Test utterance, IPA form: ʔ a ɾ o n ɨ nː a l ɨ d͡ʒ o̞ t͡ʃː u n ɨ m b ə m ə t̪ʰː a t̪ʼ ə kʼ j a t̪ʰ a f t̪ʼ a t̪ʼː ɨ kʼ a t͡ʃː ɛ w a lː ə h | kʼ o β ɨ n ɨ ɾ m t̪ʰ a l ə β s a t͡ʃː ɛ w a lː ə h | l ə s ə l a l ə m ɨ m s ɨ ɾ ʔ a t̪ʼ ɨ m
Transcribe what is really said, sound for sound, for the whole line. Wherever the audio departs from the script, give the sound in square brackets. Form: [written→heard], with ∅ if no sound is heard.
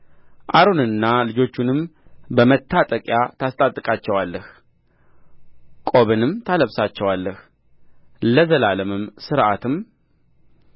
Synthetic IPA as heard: ʔ a ɾ o n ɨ nː a l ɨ d͡ʒ o̞ t͡ʃː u n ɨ m b ə m ə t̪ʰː a t̪ʼ ə kʼ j a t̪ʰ a [f→s] t̪ʼ a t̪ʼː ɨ kʼ a t͡ʃː ɛ w a lː ə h | kʼ o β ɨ n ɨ [ɾ→∅] m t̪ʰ a l ə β s a t͡ʃː ɛ w a lː ə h | l ə [s→z] ə l a l ə m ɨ m s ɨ ɾ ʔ a [t̪ʼ→t̪] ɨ m